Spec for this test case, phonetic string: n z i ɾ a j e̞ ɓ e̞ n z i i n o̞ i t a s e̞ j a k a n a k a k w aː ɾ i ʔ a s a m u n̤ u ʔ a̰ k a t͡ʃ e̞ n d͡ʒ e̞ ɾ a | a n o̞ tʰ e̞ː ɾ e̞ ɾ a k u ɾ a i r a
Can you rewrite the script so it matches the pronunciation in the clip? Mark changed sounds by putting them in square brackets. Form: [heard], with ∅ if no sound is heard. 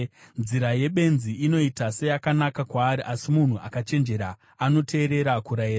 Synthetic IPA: n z i ɾ a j e̞ ɓ e̞ n z i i n o̞ i t a s e̞ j a k a n a k a k w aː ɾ i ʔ a s [i] m u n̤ u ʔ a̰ k a t͡ʃ e̞ n d͡ʒ e̞ ɾ a | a n o̞ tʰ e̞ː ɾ e̞ ɾ a k u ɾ a i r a